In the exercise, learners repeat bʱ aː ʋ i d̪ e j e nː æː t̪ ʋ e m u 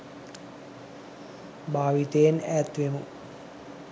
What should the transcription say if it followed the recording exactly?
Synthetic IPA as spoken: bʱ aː ʋ i t̪ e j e n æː t̪ ʋ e m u